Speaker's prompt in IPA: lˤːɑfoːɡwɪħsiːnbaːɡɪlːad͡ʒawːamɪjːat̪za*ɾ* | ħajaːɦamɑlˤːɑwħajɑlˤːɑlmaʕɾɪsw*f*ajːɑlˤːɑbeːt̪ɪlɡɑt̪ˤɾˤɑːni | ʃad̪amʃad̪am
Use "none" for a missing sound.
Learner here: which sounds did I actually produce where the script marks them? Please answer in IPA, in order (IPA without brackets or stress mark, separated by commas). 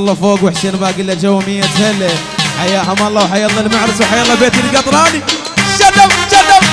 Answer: l, ħ